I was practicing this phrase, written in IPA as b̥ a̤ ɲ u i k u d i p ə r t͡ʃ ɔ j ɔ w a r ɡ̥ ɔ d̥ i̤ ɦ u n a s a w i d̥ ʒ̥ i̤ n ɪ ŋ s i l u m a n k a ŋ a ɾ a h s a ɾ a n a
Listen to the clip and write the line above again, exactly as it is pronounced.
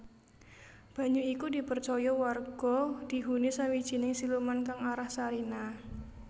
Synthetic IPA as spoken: b̥ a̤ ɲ u i k u d i p ə r t͡ʃ ɔ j ɔ w a r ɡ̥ ɔ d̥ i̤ ɦ u n i s a w i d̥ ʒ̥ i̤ n ɪ ŋ s i l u m a n k a ŋ a ɾ a h s a ɾ i n a